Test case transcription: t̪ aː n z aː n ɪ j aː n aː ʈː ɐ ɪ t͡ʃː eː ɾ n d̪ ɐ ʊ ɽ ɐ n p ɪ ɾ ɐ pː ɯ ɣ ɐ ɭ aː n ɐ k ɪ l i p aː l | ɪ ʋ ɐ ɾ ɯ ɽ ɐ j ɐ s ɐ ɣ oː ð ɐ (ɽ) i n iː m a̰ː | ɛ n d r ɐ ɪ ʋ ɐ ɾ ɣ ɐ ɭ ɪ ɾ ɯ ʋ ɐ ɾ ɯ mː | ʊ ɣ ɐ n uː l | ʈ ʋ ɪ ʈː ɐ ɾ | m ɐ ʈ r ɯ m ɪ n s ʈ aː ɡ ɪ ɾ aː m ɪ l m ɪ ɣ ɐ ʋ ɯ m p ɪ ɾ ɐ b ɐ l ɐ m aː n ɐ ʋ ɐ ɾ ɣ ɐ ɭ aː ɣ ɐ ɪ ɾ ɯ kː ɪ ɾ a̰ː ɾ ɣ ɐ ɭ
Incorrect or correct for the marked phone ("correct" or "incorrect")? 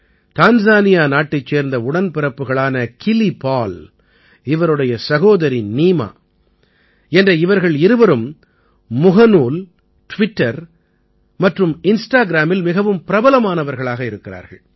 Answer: incorrect